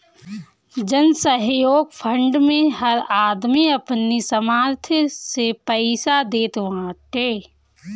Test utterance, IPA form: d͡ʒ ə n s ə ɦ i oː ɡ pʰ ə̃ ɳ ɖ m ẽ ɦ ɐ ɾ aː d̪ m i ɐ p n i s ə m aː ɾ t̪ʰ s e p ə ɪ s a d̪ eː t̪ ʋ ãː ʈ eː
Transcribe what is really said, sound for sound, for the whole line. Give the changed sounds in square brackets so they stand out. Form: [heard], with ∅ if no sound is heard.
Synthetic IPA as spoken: d͡ʒ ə n s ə ɦ [j] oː ɡ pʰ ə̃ ɳ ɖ m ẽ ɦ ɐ ɾ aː d̪ m i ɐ p n i s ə m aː ɾ t̪ʰ s e p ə ɪ s a d̪ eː t̪ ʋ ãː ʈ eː